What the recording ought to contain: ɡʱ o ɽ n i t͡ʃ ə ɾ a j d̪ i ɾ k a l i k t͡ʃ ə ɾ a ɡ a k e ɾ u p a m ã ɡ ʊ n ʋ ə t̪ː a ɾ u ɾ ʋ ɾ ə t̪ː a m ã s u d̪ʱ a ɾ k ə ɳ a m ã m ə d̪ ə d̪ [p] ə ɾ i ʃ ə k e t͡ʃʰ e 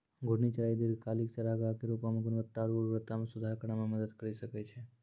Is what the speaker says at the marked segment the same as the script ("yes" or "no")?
no